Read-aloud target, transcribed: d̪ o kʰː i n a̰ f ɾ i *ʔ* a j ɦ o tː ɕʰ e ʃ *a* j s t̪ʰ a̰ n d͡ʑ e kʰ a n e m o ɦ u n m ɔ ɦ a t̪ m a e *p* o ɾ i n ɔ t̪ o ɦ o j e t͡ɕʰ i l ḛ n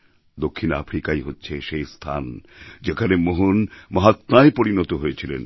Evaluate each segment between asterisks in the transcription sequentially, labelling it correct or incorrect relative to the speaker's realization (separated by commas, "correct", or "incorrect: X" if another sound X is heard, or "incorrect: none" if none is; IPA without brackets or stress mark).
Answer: incorrect: k, incorrect: e, correct